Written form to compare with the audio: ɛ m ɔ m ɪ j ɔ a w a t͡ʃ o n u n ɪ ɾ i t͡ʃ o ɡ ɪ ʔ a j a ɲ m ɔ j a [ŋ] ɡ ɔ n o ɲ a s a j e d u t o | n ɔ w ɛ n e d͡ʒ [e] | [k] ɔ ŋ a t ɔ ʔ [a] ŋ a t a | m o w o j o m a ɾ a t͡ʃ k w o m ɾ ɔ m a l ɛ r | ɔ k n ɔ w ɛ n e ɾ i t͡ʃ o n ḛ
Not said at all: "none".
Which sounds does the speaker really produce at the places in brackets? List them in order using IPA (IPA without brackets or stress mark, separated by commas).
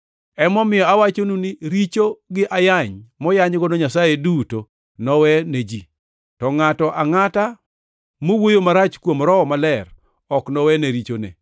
ɲ, i, t, a